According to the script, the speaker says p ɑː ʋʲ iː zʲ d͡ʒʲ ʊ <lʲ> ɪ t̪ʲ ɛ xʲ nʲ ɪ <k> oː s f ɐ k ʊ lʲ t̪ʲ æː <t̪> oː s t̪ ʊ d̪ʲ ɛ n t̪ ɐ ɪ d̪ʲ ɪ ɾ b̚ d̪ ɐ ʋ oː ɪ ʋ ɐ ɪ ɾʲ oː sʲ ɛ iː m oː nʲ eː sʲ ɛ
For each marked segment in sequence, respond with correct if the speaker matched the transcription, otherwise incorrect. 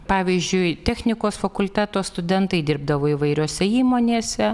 incorrect, correct, correct

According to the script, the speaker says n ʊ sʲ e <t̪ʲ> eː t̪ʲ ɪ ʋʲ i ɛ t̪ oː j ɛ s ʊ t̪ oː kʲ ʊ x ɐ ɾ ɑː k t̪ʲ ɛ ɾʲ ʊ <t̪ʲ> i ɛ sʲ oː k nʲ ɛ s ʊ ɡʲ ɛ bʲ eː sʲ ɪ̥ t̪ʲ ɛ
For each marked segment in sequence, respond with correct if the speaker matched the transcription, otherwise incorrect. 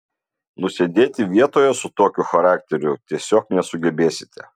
incorrect, correct

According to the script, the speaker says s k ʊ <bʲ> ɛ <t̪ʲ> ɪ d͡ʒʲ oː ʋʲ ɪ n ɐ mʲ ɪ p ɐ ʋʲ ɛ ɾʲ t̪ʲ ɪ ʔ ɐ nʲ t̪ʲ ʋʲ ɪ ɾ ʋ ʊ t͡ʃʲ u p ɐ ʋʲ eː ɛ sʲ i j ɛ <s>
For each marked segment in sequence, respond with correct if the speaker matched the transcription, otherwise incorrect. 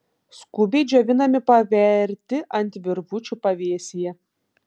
correct, incorrect, incorrect

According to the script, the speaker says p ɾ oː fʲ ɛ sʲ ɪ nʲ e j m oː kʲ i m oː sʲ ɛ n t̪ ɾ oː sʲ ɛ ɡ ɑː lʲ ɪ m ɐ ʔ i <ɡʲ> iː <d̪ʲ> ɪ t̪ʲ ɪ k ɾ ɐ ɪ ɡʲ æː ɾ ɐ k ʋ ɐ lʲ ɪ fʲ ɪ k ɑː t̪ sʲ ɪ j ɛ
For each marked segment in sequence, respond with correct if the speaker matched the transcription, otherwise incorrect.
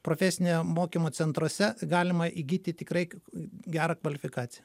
correct, incorrect

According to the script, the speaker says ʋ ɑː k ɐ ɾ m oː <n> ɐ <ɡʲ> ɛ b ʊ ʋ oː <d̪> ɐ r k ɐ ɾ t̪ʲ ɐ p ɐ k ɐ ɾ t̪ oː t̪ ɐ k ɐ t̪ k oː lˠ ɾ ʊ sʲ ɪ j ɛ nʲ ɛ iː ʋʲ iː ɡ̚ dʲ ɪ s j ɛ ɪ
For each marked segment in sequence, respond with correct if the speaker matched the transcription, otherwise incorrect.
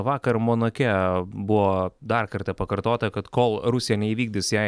correct, incorrect, correct

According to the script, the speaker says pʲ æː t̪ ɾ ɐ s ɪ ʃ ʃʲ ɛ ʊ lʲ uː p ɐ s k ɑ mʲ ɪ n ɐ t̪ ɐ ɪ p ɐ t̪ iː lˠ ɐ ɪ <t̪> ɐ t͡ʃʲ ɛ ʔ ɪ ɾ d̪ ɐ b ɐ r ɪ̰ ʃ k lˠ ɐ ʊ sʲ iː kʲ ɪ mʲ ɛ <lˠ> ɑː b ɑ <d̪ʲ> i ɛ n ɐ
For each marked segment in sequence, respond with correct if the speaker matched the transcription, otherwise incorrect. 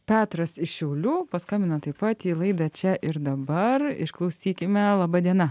incorrect, correct, correct

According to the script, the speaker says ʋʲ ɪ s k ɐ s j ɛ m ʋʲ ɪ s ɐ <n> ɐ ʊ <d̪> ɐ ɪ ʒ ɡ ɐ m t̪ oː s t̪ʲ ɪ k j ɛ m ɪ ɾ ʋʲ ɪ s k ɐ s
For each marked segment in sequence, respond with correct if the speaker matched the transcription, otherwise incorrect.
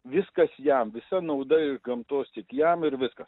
correct, correct

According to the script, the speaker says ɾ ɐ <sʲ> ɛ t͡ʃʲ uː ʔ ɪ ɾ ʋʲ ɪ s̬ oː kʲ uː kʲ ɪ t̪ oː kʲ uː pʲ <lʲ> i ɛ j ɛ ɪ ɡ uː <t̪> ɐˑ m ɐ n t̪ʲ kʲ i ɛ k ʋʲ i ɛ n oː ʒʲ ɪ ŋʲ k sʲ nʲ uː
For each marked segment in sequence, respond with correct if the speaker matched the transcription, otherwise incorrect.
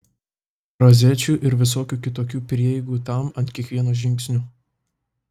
incorrect, incorrect, correct

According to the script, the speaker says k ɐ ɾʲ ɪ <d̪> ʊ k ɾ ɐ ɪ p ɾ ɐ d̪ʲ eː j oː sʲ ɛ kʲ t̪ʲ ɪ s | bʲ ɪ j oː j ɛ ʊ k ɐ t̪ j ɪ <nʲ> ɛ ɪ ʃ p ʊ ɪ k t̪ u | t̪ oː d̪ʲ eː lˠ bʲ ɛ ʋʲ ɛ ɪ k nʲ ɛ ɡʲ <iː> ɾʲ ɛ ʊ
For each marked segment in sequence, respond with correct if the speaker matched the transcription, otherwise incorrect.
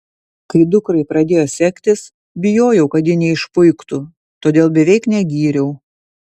correct, correct, correct

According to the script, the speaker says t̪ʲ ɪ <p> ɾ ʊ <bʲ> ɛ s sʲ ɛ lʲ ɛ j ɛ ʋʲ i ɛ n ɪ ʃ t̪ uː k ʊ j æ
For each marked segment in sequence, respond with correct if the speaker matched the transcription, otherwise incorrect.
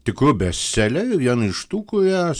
incorrect, correct

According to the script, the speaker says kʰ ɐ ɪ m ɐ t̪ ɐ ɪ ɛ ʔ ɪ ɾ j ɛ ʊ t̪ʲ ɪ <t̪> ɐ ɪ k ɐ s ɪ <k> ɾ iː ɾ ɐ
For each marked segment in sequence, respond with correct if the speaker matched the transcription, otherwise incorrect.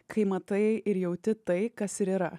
correct, incorrect

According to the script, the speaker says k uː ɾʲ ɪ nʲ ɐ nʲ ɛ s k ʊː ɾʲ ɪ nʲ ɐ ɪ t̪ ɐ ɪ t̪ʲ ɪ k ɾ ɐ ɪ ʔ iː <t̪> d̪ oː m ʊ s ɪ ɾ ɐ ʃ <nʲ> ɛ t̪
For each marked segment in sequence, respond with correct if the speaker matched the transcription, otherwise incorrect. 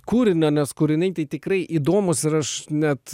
incorrect, correct

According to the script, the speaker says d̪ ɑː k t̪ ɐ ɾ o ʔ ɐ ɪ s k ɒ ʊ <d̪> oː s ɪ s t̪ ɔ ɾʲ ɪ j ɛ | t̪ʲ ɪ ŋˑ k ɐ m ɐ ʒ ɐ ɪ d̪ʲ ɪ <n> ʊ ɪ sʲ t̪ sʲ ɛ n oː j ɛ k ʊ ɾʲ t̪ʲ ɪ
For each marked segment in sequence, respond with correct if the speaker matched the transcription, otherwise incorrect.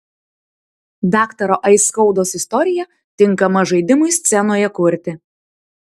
correct, incorrect

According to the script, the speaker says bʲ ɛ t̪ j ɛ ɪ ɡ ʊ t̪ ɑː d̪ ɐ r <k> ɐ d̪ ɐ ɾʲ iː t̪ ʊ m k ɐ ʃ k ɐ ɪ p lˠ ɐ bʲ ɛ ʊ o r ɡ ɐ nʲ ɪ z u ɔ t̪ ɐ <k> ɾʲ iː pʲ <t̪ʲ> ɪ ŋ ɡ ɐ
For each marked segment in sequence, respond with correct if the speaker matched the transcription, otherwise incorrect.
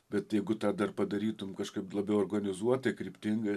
incorrect, correct, correct

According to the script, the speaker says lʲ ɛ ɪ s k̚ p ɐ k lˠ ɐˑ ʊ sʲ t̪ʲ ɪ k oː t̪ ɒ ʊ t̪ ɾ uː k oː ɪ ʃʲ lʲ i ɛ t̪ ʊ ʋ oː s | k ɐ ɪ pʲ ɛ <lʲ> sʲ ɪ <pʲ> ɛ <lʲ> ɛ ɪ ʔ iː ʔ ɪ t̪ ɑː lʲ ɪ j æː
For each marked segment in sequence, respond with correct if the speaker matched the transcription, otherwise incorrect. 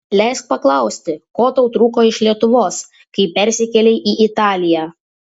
incorrect, incorrect, correct

